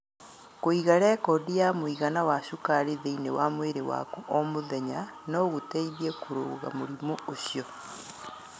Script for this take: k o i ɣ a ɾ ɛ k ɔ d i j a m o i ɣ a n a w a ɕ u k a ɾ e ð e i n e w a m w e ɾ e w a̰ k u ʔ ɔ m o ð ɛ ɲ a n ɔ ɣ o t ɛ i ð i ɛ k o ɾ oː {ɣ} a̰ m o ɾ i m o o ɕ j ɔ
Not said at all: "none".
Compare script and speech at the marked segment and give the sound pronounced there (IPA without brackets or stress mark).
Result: ɣ